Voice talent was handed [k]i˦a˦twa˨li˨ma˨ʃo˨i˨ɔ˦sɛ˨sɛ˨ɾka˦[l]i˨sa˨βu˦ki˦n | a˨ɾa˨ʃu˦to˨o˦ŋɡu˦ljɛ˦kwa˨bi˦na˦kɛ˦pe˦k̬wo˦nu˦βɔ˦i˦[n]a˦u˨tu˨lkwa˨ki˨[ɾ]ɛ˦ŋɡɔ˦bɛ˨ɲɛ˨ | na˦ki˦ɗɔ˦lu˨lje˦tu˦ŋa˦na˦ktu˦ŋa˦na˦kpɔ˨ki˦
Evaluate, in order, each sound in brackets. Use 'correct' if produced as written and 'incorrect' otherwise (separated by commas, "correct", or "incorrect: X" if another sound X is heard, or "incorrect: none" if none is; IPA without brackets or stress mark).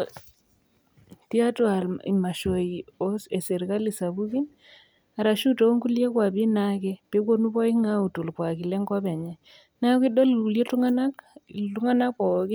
incorrect: t, correct, incorrect: ŋ, incorrect: l